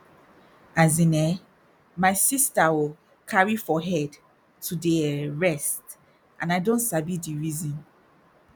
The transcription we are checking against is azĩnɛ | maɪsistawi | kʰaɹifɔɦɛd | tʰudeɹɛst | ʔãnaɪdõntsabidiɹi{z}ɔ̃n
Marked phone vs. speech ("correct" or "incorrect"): correct